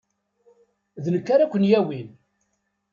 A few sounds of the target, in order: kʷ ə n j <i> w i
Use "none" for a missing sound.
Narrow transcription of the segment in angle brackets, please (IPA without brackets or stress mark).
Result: æ